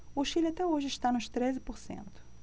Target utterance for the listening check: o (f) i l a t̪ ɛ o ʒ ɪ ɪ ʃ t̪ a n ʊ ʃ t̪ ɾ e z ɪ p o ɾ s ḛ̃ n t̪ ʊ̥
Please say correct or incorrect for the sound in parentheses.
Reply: incorrect